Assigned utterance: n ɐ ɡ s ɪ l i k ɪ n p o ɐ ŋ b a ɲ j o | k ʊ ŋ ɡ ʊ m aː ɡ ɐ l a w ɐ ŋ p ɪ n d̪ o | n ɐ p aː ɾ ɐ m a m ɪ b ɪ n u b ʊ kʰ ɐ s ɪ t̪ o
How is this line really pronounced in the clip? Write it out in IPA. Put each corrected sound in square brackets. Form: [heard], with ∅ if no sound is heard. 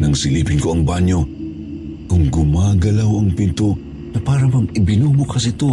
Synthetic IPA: n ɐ [ŋ] s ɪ l i [p] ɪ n [k] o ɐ ŋ b a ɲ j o | k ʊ ŋ ɡ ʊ m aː ɡ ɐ l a w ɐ ŋ p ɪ n [t̪] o | n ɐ p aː ɾ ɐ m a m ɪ b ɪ n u b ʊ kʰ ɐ s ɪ t̪ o